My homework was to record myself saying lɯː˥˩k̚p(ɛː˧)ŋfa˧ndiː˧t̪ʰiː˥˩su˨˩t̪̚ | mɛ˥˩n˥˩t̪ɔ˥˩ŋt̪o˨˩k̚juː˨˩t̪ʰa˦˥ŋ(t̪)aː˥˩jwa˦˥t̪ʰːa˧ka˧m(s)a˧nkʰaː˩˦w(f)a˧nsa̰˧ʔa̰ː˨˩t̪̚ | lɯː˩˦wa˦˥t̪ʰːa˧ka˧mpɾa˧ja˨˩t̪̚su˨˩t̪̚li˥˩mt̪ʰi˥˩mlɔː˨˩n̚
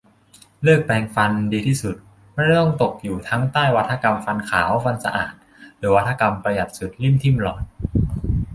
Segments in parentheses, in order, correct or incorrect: correct, correct, incorrect: f, correct

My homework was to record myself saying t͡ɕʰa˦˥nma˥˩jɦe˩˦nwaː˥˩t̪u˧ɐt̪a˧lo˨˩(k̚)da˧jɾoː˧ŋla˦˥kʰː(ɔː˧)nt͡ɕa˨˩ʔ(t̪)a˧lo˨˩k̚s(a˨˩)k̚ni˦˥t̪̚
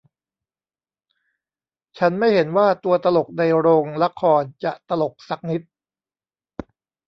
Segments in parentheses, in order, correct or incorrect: correct, correct, correct, correct

